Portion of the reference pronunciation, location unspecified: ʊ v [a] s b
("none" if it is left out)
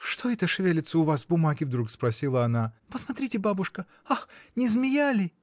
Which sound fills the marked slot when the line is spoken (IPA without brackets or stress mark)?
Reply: a